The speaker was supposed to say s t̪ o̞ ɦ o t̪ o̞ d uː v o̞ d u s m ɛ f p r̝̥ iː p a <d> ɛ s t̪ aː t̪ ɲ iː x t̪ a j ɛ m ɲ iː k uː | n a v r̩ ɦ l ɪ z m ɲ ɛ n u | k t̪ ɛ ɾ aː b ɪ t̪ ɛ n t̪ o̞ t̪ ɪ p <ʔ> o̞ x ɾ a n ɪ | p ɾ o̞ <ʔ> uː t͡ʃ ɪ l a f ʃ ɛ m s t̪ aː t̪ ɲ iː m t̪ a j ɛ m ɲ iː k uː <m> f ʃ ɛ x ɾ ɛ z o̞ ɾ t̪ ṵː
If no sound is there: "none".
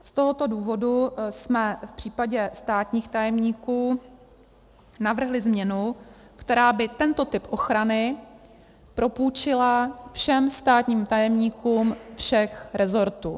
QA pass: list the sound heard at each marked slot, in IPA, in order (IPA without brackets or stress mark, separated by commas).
ɟ, ʔ, p, m